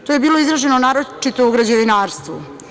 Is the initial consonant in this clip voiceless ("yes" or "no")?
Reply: yes